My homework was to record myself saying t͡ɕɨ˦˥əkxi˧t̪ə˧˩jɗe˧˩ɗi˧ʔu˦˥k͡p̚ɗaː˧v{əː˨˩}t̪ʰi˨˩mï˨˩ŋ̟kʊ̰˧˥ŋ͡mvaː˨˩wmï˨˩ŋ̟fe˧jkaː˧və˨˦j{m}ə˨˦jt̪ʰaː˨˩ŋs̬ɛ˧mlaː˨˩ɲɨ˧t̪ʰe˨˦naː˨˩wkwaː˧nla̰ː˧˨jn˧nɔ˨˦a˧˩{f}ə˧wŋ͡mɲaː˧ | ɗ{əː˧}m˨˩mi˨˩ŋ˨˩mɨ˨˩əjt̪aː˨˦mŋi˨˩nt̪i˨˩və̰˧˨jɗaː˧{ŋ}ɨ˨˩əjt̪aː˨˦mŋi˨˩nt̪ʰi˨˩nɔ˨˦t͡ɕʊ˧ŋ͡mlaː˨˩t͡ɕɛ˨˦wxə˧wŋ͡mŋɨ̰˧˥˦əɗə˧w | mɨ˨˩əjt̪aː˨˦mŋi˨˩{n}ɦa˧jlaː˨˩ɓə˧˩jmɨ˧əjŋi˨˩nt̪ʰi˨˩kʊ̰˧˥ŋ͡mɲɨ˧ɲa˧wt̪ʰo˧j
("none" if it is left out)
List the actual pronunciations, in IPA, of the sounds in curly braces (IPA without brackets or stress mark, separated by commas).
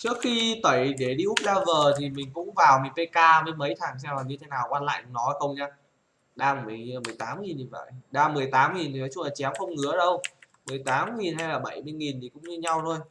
əː˨˩, m, x, aː˧, m, n